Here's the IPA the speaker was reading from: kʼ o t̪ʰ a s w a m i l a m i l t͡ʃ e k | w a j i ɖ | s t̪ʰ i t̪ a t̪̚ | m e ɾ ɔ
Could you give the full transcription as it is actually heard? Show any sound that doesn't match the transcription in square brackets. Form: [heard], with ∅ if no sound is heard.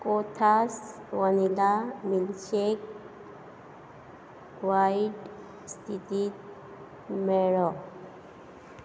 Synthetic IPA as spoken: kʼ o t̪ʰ a s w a [n] i l a m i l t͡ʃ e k | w a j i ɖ | s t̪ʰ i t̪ [i] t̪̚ | m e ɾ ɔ